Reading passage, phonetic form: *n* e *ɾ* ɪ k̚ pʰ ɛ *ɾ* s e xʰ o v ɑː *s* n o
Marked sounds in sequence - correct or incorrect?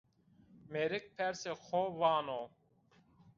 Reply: incorrect, correct, correct, incorrect

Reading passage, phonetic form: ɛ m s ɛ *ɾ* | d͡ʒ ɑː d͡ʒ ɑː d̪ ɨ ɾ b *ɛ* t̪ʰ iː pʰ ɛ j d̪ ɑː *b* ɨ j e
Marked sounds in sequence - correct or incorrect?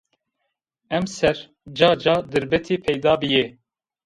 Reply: correct, correct, correct

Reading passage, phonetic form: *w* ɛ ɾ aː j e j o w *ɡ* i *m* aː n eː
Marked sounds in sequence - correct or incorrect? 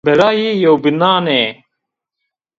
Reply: incorrect, incorrect, incorrect

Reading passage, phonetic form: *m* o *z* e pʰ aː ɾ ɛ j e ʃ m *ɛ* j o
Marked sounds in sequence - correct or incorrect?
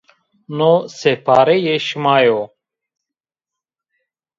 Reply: incorrect, incorrect, incorrect

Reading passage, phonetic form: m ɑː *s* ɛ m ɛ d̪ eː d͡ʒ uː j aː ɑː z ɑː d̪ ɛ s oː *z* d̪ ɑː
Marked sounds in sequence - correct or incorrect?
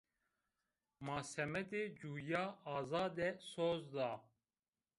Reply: correct, correct

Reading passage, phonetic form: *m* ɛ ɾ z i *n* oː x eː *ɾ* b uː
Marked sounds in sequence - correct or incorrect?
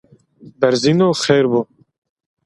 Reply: incorrect, correct, correct

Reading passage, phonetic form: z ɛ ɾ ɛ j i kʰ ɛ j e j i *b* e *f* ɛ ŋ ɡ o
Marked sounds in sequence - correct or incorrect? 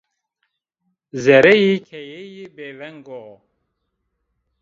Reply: correct, incorrect

